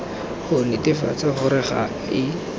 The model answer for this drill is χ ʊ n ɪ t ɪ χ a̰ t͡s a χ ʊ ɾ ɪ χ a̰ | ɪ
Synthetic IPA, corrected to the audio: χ ʊ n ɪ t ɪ f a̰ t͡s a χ ʊ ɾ ɪ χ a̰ | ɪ